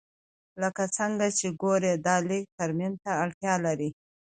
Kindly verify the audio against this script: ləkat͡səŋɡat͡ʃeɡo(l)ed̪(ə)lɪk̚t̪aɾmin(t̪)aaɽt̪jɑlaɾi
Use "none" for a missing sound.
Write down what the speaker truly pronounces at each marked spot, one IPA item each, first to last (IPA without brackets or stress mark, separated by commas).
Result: ɾ, ɑ, t̪